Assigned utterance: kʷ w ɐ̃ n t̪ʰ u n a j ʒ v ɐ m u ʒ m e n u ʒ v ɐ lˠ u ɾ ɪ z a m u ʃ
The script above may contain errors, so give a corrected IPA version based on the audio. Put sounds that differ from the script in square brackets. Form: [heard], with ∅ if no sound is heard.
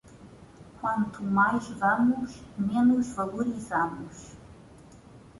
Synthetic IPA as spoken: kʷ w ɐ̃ n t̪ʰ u [m] a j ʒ v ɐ m u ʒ m e n u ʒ v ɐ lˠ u ɾ [i] z a m u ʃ